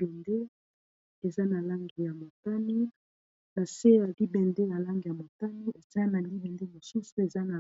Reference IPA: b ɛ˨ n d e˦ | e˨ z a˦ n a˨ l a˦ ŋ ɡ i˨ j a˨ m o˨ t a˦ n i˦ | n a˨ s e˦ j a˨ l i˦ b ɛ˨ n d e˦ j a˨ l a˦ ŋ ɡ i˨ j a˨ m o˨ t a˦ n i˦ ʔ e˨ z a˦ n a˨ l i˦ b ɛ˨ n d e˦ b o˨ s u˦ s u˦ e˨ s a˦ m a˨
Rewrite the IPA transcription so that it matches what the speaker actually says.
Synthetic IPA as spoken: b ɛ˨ n d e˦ | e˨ z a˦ n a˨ l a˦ ŋ ɡ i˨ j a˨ m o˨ t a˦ n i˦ | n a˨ s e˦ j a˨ l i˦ b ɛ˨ n d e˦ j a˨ l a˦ ŋ ɡ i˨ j a˨ m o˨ t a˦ n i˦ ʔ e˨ z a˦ n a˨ l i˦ b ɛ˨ n d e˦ m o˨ s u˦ s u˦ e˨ z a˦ n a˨